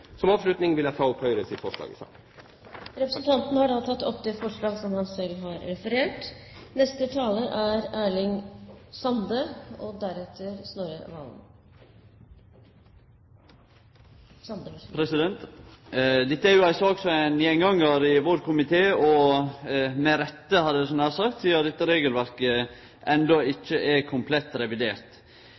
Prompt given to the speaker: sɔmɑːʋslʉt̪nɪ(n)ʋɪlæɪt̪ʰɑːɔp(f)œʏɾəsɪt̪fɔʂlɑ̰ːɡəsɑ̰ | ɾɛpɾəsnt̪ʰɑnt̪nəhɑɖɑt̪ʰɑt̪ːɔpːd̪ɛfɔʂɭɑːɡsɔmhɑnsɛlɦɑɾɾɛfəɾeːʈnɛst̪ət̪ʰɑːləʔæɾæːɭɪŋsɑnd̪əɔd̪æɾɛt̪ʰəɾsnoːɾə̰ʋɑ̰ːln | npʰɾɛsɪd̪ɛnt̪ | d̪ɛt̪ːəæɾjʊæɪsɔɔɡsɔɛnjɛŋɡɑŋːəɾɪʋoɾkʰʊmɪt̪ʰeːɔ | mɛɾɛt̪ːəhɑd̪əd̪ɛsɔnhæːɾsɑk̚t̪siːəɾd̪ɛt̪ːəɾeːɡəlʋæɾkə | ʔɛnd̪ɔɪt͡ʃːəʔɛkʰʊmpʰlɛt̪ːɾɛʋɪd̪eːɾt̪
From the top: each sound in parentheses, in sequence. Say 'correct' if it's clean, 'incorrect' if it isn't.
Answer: incorrect: ŋ, incorrect: h

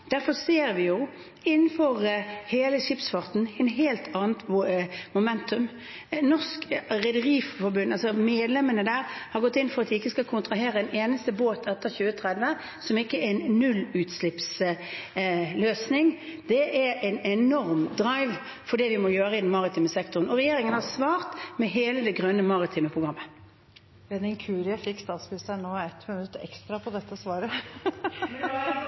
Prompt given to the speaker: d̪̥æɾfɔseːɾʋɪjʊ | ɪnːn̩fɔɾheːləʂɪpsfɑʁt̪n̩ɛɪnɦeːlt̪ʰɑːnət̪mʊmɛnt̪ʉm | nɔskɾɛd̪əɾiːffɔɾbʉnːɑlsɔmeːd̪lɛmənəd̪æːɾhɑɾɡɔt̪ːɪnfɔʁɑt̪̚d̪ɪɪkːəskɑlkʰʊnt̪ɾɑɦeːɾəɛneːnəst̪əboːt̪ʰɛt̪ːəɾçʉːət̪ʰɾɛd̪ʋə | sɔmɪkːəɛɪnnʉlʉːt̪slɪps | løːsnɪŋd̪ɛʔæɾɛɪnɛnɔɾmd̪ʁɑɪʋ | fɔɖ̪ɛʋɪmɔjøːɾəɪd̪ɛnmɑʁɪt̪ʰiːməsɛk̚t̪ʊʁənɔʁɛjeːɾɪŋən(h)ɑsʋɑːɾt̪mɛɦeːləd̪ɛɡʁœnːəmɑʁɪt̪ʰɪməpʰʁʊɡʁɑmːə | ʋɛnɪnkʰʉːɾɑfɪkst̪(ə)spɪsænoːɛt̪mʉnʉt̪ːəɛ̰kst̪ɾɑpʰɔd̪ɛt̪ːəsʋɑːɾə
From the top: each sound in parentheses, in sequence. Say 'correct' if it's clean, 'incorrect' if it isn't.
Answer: correct, incorrect: ɑ

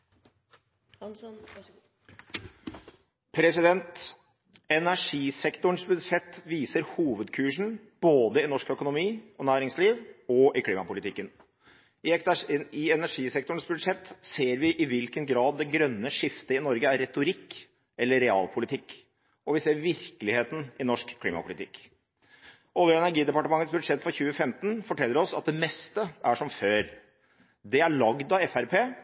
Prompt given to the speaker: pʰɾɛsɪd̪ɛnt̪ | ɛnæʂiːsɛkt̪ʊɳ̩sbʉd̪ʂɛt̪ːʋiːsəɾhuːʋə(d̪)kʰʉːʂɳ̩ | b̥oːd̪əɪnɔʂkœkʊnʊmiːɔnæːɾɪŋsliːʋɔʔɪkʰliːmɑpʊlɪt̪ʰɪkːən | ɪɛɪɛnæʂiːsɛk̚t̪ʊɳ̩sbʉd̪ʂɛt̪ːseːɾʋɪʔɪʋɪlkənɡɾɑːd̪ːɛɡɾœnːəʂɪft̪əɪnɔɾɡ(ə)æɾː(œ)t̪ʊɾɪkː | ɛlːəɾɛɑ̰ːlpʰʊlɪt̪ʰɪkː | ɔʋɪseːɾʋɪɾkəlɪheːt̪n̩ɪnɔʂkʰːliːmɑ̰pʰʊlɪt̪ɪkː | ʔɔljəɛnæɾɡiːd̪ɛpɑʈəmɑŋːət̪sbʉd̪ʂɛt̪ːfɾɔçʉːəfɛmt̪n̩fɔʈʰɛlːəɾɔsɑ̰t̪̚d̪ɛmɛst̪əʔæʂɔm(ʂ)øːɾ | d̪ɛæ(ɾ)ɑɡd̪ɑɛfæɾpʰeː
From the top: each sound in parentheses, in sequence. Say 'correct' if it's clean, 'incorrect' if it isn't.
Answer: correct, correct, incorrect: ɛ, incorrect: f, incorrect: ɭ

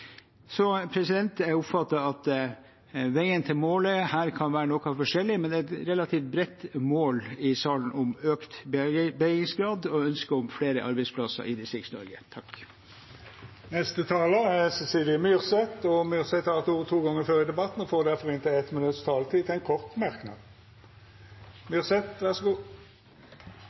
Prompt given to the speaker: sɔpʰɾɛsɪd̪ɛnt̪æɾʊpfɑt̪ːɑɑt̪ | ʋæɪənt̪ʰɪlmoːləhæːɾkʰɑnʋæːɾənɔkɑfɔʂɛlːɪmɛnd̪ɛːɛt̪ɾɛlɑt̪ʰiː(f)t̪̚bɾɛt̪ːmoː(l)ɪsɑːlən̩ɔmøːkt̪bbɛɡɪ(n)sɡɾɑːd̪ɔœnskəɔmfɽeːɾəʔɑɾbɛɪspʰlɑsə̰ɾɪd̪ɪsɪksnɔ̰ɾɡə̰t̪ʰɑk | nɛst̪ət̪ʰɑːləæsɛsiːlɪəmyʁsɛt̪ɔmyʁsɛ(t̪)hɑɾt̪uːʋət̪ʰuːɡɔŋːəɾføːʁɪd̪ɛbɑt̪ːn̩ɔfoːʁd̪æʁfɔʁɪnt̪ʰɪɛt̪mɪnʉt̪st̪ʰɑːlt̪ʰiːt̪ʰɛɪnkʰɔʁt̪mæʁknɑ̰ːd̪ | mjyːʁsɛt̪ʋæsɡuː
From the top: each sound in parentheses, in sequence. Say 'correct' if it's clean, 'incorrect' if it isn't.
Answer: correct, correct, incorrect: ŋ, correct

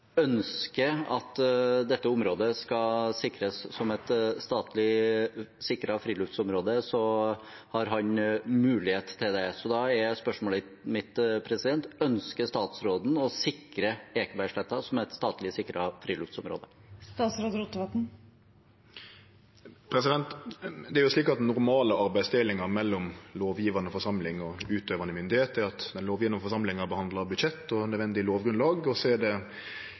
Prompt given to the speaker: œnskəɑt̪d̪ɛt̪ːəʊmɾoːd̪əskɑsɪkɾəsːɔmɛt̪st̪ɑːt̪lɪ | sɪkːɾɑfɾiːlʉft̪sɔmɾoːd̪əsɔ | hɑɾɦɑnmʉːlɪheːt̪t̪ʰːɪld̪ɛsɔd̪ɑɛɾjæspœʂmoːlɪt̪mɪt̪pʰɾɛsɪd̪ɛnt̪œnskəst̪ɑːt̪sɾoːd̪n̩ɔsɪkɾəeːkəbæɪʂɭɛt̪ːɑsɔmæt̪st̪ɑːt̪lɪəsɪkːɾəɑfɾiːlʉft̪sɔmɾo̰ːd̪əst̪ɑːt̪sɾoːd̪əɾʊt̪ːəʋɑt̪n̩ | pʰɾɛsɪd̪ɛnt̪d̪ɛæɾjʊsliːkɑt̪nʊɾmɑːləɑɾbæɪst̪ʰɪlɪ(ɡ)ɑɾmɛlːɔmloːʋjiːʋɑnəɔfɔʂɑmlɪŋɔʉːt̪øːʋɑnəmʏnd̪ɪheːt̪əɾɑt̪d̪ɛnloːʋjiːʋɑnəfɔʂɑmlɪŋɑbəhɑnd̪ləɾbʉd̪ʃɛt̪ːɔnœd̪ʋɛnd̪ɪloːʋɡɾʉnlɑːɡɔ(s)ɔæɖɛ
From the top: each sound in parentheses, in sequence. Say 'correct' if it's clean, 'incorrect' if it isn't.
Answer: incorrect: ŋ, correct

